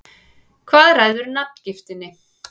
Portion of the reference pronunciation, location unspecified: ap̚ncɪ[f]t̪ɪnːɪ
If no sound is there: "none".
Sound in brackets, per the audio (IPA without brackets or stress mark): f